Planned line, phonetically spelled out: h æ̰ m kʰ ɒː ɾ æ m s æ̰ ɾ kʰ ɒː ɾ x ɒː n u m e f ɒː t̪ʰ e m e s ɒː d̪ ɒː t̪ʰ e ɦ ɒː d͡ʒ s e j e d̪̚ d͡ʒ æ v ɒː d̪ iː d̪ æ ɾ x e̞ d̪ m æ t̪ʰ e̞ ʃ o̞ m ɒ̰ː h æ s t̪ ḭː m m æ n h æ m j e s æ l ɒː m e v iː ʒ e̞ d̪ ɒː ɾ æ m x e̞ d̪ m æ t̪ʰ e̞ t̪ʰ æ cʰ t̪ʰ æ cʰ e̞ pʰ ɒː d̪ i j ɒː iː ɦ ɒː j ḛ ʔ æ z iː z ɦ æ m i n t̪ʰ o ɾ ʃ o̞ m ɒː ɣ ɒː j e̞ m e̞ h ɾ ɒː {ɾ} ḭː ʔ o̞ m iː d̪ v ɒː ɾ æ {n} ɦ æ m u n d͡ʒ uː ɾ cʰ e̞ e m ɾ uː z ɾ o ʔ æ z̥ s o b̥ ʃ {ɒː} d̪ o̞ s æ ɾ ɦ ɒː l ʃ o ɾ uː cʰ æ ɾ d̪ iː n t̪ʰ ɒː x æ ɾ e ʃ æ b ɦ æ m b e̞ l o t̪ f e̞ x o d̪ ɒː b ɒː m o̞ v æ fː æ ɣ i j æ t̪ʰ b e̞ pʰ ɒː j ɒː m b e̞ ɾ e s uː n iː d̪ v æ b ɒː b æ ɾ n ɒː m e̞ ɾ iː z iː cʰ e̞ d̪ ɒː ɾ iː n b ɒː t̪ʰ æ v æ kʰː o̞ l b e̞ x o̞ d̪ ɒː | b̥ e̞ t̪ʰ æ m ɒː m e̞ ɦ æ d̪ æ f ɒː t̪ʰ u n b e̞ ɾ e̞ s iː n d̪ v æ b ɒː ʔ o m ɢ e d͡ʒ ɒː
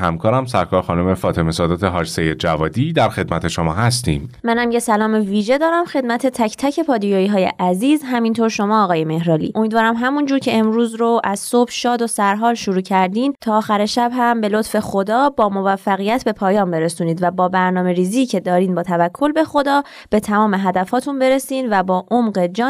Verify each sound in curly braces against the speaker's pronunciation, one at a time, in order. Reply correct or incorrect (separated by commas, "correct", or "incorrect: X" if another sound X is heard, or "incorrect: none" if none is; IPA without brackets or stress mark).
incorrect: l, incorrect: m, correct